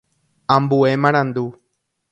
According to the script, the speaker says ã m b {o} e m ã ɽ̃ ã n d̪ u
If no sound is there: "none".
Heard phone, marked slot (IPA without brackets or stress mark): u